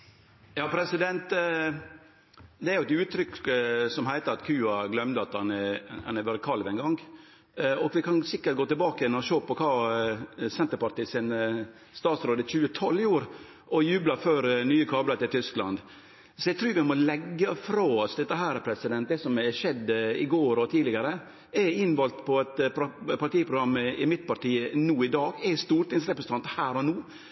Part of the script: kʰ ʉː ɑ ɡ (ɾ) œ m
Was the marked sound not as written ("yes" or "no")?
yes